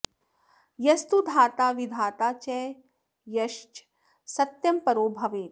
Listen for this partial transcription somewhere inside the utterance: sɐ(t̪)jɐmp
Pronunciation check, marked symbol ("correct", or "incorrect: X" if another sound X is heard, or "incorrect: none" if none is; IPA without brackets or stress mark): correct